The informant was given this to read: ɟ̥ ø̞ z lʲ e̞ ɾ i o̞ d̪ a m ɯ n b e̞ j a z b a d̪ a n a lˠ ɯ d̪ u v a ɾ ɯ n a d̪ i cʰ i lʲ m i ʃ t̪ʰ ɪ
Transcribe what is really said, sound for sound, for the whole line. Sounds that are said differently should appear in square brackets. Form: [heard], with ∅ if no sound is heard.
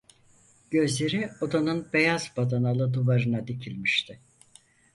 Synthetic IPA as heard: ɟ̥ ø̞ z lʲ e̞ ɾ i o̞ d̪ a [n] ɯ n b e̞ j a z b a d̪ a n a lˠ ɯ d̪ u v a ɾ ɯ n a d̪ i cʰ i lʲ m i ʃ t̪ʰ ɪ